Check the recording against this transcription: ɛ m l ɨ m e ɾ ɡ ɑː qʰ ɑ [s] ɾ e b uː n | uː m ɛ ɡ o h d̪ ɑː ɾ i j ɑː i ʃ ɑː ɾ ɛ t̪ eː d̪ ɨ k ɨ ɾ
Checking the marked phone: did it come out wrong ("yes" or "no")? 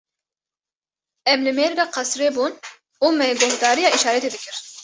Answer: no